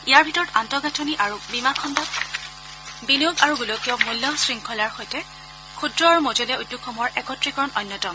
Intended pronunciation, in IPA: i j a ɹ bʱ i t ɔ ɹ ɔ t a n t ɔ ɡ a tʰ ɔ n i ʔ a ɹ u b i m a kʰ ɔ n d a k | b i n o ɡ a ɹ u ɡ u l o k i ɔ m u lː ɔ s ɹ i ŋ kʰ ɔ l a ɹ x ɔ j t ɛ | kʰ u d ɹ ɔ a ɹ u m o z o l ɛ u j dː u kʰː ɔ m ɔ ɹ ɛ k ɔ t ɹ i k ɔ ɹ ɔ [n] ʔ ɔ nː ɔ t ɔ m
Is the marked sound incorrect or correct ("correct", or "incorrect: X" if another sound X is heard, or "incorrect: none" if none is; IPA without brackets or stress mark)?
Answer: correct